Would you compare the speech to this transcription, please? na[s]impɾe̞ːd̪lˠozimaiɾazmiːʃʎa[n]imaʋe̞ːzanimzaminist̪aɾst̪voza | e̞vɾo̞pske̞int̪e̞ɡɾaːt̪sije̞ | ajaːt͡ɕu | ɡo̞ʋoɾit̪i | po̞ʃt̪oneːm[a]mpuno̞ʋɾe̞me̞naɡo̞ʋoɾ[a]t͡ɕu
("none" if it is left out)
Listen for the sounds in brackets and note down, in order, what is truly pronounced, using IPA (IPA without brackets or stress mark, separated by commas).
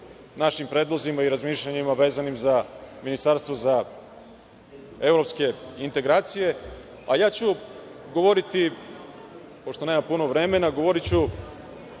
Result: ʃ, ɲ, a, i